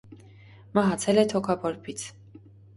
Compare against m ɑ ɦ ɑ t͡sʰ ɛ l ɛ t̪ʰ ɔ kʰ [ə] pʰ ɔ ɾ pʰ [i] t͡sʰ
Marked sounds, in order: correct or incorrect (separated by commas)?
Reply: incorrect, correct